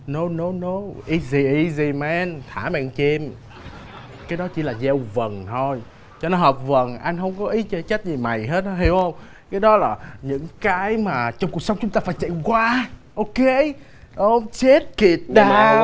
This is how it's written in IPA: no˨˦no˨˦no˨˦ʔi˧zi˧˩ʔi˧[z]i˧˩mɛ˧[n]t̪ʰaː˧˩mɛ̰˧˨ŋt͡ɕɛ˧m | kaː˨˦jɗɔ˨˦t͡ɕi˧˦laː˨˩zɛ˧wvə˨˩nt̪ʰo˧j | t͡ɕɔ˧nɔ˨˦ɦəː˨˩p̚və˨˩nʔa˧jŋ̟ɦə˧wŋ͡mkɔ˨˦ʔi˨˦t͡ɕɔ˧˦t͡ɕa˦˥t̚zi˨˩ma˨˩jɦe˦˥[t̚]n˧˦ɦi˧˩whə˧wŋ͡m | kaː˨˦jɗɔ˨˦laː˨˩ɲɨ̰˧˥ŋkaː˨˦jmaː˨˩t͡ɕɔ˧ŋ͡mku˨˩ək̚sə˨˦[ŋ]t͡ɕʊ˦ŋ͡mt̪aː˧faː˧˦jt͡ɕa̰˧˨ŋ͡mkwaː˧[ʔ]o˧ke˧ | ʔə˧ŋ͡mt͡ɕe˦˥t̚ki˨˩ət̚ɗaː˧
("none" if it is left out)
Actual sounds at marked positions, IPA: z, n, t̚, ŋ͡m, ʔ

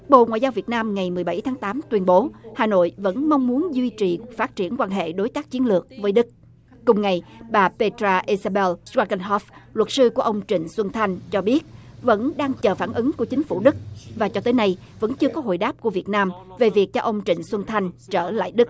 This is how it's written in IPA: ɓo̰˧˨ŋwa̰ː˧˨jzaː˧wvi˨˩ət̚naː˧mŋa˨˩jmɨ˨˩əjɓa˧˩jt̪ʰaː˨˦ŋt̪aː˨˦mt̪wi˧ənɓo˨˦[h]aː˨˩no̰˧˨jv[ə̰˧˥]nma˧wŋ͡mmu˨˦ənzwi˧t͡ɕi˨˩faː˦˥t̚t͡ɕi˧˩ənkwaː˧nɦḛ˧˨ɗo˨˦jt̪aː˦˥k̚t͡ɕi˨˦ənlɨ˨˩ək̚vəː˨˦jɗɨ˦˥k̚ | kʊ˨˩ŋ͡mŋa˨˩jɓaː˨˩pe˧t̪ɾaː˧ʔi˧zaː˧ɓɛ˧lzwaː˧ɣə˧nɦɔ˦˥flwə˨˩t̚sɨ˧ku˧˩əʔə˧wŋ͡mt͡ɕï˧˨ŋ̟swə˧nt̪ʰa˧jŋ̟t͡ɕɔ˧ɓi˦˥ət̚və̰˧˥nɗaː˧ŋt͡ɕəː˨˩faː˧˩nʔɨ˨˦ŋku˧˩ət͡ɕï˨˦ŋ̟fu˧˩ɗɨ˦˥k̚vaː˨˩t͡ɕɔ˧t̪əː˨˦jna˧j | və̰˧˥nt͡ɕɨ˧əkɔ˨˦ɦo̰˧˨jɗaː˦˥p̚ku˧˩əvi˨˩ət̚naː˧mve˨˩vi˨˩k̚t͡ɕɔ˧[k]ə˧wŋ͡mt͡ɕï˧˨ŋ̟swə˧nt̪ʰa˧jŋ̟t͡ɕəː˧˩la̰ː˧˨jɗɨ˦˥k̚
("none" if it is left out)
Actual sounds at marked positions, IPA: h, ə̰˧˥, ʔ

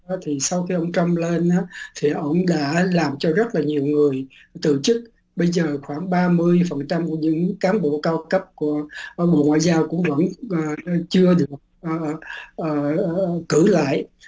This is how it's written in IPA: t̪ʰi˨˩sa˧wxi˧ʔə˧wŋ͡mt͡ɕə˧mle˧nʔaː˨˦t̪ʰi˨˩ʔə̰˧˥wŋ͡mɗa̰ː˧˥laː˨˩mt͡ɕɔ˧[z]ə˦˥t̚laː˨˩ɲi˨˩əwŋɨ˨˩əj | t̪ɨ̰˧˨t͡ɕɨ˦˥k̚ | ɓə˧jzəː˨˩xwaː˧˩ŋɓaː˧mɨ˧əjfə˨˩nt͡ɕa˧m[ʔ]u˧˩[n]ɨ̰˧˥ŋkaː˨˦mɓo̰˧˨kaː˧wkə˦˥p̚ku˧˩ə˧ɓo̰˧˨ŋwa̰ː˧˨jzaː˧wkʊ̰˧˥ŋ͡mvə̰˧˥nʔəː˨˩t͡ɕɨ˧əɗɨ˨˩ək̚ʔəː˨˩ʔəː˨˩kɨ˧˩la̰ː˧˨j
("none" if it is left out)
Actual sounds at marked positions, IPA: z, k, ɲ

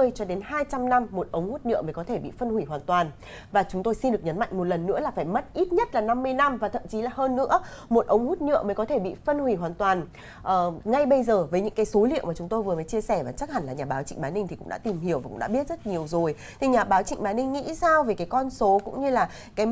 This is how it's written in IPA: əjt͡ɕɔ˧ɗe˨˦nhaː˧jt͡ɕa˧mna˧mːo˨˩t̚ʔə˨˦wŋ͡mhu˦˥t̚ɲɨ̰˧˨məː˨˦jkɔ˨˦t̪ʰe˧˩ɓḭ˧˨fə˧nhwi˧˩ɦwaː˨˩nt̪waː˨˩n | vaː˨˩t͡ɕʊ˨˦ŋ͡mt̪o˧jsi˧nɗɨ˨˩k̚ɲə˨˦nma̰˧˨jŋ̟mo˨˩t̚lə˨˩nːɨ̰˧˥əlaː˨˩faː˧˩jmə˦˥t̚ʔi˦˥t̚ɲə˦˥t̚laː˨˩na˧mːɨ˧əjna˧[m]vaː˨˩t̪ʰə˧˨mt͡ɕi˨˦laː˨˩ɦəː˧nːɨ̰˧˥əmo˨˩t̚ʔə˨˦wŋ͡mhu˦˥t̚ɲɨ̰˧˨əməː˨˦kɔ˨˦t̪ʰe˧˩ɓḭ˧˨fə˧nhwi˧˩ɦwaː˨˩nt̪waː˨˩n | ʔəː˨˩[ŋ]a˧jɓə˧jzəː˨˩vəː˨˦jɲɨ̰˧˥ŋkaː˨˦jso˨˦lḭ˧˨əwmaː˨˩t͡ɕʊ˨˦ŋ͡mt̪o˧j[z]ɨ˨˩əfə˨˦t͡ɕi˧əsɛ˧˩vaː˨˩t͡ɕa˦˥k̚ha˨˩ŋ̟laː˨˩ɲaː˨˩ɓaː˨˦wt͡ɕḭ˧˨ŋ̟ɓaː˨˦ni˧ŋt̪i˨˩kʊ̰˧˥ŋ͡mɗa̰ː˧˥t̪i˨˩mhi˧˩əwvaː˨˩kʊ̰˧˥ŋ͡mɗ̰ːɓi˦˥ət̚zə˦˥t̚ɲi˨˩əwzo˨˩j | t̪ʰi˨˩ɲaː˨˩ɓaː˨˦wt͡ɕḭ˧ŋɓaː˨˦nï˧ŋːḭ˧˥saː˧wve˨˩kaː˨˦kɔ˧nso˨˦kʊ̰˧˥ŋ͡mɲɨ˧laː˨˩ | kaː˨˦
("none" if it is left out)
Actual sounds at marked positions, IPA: m, ŋ, v

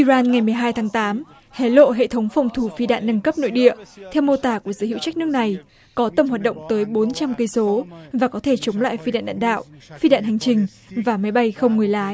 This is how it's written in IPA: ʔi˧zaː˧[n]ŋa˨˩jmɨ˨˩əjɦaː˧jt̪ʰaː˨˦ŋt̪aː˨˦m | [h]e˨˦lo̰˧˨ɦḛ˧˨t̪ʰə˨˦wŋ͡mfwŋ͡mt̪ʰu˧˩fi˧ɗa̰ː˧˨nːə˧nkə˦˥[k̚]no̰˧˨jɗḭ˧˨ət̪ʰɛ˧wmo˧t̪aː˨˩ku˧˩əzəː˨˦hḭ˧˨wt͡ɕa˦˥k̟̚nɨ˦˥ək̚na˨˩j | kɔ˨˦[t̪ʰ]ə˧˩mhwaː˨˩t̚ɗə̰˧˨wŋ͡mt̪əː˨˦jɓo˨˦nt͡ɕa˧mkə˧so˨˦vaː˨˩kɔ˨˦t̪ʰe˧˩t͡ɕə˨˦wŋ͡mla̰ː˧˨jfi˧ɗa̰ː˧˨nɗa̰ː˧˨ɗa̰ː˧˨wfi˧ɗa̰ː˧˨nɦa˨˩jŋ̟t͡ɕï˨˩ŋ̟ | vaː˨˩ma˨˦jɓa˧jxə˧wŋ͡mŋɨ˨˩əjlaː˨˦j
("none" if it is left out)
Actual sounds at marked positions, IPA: n, h, p̚, t̪

